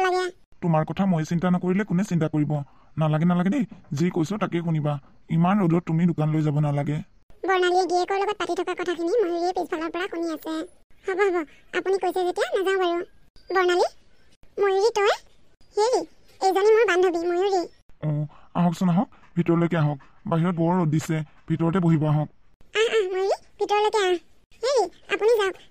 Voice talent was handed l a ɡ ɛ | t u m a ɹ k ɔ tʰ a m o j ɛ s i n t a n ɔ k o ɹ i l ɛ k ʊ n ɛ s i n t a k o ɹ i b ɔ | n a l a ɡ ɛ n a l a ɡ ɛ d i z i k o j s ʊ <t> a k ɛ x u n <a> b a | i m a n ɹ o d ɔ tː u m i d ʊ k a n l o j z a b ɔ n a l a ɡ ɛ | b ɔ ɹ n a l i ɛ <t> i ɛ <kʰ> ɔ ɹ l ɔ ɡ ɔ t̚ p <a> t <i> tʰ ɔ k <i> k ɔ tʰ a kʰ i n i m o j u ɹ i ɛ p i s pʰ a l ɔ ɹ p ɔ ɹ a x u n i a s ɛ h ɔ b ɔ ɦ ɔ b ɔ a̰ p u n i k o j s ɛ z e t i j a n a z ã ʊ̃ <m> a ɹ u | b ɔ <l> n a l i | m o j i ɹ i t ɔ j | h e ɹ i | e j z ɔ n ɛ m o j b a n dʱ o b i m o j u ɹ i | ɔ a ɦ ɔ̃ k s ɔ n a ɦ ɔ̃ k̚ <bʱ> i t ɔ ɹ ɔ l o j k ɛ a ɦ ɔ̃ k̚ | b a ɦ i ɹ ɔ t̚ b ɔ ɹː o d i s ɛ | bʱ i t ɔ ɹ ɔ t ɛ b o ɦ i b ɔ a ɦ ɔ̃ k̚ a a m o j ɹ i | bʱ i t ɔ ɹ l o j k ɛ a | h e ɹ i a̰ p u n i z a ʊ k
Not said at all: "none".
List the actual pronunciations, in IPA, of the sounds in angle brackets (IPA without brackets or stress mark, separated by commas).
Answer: t, i, d, k, a, i, a, b, ɹ, bʱ